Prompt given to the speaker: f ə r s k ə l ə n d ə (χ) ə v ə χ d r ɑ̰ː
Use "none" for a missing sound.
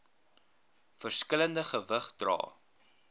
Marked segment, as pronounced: χ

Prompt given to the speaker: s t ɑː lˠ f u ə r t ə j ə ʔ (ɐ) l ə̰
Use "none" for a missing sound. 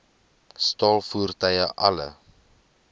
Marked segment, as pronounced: ɐ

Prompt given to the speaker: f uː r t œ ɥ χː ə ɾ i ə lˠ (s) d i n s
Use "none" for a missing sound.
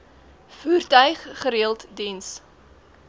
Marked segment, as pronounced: t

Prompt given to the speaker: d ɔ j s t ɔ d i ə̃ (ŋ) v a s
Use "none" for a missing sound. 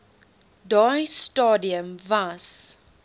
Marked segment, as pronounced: m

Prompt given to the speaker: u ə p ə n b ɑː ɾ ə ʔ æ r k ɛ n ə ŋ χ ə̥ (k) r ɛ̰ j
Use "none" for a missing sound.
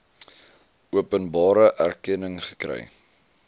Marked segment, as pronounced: k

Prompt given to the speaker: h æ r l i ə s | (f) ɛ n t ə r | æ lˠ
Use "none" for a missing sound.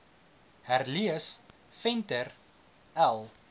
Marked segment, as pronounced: f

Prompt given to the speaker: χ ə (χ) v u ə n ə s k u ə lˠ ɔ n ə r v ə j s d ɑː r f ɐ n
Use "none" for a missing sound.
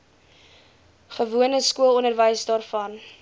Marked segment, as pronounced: none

